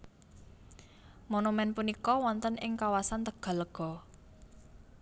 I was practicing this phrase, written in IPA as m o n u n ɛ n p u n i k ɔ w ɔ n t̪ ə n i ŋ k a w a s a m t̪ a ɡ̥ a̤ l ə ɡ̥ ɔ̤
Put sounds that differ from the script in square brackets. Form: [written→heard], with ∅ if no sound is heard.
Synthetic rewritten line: m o n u [n→m] ɛ n p u n i k ɔ w ɔ n t̪ ə n [i→ɪ] ŋ k a w a s a [m→n] t̪ [a→ə] ɡ̥ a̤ l ə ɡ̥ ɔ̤